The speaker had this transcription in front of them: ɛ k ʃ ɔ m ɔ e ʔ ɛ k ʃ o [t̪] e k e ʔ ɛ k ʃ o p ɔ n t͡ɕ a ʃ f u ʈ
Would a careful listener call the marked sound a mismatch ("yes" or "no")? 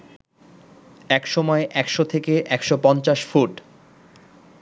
yes